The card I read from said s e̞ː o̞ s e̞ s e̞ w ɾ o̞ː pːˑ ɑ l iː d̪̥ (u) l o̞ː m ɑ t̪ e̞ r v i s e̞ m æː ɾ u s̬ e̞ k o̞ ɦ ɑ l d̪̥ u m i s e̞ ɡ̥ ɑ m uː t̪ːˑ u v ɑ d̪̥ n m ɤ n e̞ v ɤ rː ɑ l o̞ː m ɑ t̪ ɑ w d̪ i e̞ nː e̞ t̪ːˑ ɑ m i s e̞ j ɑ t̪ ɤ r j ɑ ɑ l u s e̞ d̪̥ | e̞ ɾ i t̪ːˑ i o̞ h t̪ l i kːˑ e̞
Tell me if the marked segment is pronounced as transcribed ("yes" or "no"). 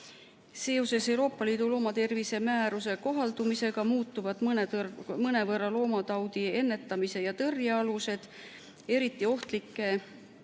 yes